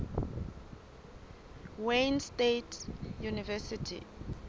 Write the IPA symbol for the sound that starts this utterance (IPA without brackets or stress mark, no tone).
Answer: w